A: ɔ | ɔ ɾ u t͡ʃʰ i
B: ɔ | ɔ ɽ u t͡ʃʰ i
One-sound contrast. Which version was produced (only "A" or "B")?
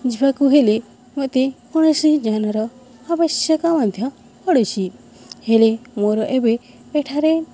B